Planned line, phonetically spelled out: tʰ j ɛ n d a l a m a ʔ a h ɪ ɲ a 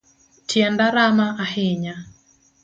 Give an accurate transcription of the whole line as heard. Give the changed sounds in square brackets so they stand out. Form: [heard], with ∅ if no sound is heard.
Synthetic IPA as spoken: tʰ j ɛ n d a [ɾ] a m a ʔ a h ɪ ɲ a

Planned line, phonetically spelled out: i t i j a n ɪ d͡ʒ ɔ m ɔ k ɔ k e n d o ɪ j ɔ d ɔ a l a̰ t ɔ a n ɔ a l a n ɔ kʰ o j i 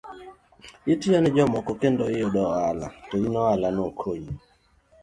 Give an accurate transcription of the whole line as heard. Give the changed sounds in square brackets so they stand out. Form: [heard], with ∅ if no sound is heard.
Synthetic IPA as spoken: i t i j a n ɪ d͡ʒ ɔ m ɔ k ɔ k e n d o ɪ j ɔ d ɔ a l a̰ t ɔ [i] n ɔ a l a n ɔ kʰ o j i

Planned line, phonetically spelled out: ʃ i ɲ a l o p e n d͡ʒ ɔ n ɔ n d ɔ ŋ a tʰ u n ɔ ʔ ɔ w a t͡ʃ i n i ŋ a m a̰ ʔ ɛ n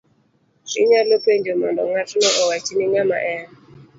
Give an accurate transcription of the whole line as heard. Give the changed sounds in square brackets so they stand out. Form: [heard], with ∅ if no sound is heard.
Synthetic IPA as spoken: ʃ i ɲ a l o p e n d͡ʒ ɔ [m] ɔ n d ɔ ŋ a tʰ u n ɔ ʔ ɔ w a t͡ʃ i n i ŋ a m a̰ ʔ ɛ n

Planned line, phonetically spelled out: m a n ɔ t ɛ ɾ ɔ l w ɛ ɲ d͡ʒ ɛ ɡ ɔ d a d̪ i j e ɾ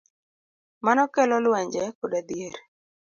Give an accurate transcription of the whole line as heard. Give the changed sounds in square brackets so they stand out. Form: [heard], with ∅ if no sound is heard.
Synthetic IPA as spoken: m a n ɔ [k] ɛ [l] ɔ l w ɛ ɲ d͡ʒ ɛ [k] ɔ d a d̪ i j e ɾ

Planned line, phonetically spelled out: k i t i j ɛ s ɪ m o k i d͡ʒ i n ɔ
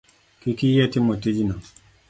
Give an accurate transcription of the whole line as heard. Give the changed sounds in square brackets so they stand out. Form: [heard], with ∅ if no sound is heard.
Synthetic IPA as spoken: k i [k] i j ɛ [t] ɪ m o [t] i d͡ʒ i n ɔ

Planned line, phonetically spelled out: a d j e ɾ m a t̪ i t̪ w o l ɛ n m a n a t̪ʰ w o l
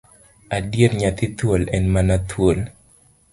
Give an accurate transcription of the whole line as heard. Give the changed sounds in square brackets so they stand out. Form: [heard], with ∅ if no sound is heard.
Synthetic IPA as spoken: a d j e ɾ [ɲ] a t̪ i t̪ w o l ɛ n m a n a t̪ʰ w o l

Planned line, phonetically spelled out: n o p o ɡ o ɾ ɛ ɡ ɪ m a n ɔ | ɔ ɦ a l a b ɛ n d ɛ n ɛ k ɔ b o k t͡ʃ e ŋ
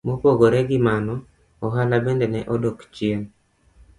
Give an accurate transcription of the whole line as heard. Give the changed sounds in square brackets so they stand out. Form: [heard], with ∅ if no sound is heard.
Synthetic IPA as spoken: [m] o p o ɡ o ɾ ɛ ɡ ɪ m a n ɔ | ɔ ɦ a l a b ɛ n d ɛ n ɛ [ʔ] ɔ [d] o k t͡ʃ e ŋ

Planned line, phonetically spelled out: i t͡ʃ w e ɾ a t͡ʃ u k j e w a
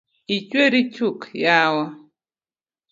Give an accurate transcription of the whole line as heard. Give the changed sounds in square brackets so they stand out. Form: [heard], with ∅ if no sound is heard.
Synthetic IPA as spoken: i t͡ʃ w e ɾ [i] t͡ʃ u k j [a] w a

